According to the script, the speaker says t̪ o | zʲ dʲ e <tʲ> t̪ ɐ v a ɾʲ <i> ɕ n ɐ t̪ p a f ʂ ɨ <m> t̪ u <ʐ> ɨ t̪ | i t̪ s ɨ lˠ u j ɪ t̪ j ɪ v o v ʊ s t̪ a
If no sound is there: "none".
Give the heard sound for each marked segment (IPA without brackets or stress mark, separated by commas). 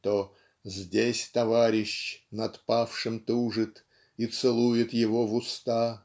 sʲ, ɪ, m, ʐ